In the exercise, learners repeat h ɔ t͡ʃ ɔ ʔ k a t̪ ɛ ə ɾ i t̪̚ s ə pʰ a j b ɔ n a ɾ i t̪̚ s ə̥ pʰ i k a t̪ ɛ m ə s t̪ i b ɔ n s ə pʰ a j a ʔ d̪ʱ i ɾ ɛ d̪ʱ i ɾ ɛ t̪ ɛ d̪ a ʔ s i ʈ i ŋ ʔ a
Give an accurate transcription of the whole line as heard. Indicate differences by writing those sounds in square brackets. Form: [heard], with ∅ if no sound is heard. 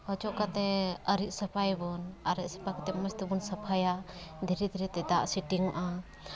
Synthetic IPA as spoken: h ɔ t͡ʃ ɔ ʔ k a t̪ ɛ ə ɾ i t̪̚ s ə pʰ a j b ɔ n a ɾ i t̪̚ s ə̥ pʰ [a] k a t̪ ɛ m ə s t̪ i b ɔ n s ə pʰ a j a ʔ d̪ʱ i ɾ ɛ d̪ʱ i ɾ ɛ t̪ ɛ d̪ a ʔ s i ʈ i ŋ ʔ a